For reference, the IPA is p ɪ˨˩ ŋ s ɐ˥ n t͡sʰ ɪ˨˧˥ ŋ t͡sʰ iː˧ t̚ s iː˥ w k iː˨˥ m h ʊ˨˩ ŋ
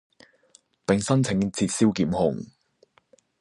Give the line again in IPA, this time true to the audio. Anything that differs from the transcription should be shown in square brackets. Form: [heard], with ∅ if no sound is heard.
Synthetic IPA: p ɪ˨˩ ŋ s ɐ˥ n t͡sʰ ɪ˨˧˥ ŋ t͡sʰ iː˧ t̚ s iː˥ w k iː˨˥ m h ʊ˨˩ ŋ